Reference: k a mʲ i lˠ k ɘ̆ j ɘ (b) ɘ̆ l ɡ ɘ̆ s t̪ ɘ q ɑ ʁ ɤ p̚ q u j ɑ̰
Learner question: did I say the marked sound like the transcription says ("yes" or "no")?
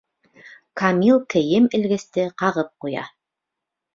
no